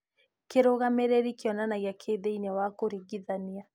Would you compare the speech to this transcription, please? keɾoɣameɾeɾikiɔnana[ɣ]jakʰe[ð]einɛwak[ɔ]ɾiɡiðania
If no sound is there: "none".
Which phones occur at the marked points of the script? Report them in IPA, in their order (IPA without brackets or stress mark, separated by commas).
ɣ, ð, o